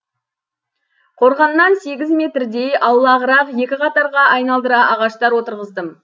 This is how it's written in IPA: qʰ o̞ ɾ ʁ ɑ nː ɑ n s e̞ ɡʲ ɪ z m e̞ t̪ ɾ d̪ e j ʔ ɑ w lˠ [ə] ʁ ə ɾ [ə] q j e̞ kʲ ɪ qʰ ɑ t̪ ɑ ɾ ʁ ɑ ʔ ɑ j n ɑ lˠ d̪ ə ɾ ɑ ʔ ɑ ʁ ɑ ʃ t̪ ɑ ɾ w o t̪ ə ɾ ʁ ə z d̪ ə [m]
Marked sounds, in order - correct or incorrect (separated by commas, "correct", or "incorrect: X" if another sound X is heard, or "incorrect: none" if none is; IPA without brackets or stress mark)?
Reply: incorrect: ɑ, incorrect: ɑ, correct